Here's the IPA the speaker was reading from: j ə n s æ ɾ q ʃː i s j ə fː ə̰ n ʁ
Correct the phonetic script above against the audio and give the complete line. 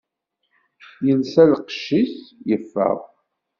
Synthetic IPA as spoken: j ə n s æ l q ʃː i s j ə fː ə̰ ʁ